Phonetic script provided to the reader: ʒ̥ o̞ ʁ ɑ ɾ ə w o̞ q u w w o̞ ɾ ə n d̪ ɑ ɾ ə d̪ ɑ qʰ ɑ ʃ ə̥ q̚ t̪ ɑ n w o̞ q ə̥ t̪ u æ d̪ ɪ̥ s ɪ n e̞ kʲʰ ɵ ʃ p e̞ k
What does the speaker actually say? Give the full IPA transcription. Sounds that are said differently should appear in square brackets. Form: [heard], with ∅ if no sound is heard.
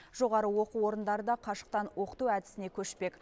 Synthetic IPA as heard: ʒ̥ o̞ ʁ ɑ ɾ ə w o̞ q u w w o̞ ɾ ə n d̪ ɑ ɾ ə d̪ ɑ qʰ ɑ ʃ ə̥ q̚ t̪ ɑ n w o̞ q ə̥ t̪ u æ d̪ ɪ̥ s ɪ n e̞ kʲʰ ɵ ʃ p e̞ k